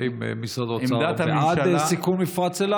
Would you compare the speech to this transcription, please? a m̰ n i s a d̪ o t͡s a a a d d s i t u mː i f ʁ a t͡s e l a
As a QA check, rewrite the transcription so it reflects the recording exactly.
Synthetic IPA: i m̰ m i s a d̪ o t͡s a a a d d s i k u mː i f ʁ a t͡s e l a